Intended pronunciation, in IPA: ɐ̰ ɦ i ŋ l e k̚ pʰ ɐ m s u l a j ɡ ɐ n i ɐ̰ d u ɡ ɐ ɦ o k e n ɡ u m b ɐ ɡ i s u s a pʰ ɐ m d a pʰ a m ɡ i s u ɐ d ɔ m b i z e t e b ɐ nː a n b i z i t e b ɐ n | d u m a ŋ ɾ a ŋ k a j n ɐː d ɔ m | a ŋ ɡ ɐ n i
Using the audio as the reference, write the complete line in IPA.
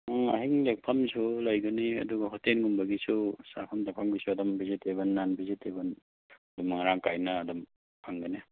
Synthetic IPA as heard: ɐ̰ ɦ i ŋ l e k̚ pʰ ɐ m s u l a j ɡ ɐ n i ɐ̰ d u ɡ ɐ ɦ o t e n ɡ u m b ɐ ɡ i s u s a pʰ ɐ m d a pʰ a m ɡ i s u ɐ d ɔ m b i z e t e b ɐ nː a n b i z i t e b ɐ n | d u m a ŋ ɾ a ŋ k a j n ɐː d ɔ m | a ŋ ɡ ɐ n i

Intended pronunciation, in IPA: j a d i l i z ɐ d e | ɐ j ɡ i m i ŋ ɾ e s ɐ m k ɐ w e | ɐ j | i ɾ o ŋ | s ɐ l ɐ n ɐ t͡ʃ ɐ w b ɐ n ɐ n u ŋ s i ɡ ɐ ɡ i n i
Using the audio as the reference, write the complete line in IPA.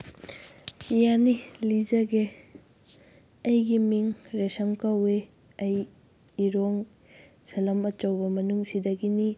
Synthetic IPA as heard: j a n i l i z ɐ ɡ e | ɐ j ɡ i m i ŋ ɾ e s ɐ m k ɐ w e | ɐ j | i ɾ o ŋ | s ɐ l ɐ m ɐ t͡ʃ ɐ w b ɐ m ɐ n u ŋ s i d ɐ ɡ i n i

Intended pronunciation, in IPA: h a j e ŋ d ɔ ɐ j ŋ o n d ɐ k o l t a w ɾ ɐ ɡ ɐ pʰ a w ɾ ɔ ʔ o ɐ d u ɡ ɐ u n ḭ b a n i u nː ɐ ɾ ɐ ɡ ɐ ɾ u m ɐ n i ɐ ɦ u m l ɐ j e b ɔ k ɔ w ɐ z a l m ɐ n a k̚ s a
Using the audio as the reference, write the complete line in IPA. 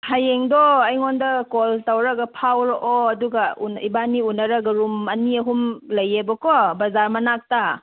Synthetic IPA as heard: h a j e ŋ d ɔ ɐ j ŋ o n d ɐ k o l t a w ɾ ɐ ɡ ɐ pʰ a w ɾ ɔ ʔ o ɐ d u ɡ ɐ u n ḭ b a n i u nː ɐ ɾ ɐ ɡ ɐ ɾ u m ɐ n i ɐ ɦ u m l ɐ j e b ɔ k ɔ b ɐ z a ɾ m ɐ n a k̚ t a

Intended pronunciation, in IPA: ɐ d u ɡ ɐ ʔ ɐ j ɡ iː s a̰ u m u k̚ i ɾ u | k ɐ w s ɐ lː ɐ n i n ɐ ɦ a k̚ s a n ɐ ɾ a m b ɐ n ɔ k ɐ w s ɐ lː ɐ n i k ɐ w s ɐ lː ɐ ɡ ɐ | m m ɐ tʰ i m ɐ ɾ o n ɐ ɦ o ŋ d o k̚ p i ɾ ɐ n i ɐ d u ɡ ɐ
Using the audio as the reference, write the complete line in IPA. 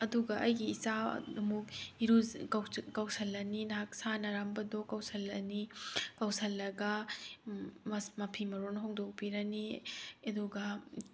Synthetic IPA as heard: ɐ d u ɡ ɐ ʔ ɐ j ɡ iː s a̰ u m u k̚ i ɾ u | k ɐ w s ɐ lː ɐ n i n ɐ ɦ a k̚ s a n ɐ ɾ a m b ɐ d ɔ k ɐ w s ɐ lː ɐ n i k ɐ w s ɐ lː ɐ ɡ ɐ | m m ɐ pʰ i m ɐ ɾ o n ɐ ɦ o ŋ d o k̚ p i ɾ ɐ n i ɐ d u ɡ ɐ

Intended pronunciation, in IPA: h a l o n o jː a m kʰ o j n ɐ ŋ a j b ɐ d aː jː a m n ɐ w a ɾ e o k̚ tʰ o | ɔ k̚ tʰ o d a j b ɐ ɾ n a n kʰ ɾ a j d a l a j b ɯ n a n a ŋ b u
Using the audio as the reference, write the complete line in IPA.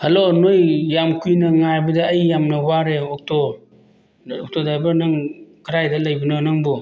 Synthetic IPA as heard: h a l o n o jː a m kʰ u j n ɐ ŋ a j b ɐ d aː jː a m n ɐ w a ɾ e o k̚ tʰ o | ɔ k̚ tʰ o d a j b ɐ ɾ n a ŋ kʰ ɾ a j d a l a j b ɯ n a n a ŋ b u

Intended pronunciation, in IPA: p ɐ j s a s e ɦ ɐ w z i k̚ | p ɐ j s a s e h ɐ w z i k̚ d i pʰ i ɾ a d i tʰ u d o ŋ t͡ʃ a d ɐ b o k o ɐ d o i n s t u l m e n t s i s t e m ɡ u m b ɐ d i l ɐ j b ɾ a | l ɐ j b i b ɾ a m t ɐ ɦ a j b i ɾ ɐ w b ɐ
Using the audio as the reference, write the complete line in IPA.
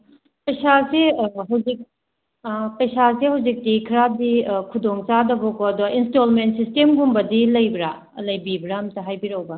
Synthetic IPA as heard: p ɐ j s a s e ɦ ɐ w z i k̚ | p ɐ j s a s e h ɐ w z i k̚ d i kʰ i ɾ a d i kʰ u d o ŋ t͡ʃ a d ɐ b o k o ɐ d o i n s t o l m e n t s i s t e m ɡ u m b ɐ d i l ɐ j b ɾ a | l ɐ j b i b ɾ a m t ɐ ɦ a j b i ɾ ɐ w b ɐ

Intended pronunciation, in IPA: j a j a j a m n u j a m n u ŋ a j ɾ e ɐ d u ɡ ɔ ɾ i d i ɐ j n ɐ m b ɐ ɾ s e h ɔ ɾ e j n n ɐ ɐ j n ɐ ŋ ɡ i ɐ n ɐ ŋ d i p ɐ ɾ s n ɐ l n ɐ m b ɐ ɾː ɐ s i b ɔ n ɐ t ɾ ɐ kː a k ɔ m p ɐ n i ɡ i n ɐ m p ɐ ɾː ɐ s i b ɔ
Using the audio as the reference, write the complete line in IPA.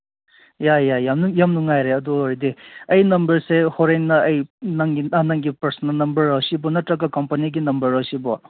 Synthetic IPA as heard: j a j a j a m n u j a m n u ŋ a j ɾ e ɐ d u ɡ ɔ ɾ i d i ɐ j n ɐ m b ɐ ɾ s e h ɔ ɾ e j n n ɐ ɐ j n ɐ ŋ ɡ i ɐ n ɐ ŋ ɡ i p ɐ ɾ s n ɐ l n ɐ m b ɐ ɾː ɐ s i b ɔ n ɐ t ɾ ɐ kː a k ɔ m p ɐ n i ɡ i n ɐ m b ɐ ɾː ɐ s i b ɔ

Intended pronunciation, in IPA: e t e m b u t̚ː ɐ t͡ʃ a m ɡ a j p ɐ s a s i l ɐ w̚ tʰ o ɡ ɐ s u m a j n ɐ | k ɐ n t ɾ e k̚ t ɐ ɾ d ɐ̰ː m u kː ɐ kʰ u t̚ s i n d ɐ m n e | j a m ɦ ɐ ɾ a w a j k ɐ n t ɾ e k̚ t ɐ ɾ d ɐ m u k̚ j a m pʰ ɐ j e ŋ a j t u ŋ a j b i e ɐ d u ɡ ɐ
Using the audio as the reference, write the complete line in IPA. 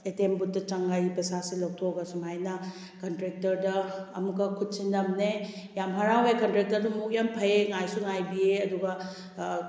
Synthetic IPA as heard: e t e m b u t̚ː ɐ t͡ʃ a ŋ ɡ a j p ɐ s a s i l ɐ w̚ tʰ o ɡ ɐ s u m a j n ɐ | k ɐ n t ɾ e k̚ t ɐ ɾ d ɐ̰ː m u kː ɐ kʰ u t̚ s i n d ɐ m n e | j a m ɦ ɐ ɾ a w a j k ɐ n t ɾ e k̚ t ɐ ɾ d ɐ m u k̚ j a m pʰ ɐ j e ŋ a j s u ŋ a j b i e ɐ d u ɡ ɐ

